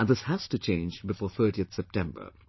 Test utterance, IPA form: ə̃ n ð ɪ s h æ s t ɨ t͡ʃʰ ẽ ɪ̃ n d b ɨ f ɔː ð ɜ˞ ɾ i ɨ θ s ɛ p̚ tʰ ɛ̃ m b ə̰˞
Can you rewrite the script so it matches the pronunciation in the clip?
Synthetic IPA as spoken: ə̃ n ð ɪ s h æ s t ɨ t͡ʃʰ ẽ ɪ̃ n d͡ʒ b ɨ f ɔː θ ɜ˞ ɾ i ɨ θ s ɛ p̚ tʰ ɛ̃ m b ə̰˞